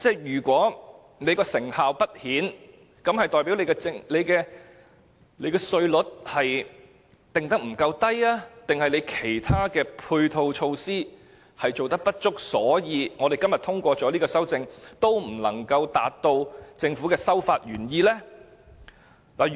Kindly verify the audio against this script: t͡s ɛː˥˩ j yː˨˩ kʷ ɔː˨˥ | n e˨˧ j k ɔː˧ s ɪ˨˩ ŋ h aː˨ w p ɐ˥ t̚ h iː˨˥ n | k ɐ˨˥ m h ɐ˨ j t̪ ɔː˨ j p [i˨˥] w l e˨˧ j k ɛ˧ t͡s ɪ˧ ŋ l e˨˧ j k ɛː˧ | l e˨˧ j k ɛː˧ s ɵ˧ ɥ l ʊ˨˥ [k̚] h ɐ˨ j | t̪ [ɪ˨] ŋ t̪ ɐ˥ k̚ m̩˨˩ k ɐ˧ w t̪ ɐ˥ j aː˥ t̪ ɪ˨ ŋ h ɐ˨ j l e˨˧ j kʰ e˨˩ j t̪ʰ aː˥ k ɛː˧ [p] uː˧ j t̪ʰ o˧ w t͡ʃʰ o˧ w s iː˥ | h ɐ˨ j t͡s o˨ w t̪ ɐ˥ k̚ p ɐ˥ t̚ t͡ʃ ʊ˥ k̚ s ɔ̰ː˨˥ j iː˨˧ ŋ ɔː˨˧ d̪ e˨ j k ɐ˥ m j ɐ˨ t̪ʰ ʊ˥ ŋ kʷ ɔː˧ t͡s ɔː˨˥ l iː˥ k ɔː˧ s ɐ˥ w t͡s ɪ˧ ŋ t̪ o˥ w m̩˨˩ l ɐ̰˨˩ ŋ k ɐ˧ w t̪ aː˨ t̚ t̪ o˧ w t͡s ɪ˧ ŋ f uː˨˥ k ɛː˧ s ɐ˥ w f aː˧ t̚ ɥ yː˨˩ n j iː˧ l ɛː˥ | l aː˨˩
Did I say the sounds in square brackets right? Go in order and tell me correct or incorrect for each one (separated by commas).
correct, incorrect, correct, incorrect